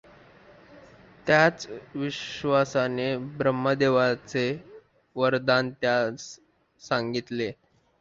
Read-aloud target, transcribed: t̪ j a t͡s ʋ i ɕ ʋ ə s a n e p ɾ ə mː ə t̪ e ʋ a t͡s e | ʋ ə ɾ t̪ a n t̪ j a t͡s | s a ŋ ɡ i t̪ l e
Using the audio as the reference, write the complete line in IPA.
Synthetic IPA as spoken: t̪ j a t͡s ʋ i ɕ ʋ a s a n e b ɾ ə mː ə d̪ e ʋ a t͡s e | ʋ ə ɾ d̪ a n t̪ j a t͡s | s a ŋ ɡ i t̪ l e